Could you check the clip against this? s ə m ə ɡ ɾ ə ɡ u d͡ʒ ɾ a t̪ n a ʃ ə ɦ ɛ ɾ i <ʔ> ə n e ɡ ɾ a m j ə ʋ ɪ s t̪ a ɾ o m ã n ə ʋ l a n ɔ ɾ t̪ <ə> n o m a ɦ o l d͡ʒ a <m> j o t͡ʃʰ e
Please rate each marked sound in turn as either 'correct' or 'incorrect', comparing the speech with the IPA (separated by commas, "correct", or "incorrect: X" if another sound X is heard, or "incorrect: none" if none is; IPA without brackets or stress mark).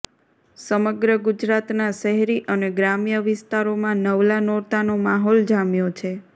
correct, incorrect: a, correct